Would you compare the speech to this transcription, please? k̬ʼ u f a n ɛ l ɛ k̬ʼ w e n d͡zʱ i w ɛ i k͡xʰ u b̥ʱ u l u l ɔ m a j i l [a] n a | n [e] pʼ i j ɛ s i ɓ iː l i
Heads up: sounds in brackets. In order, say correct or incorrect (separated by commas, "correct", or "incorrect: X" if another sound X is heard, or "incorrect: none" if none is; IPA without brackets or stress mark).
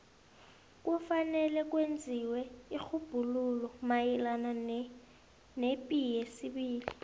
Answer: correct, correct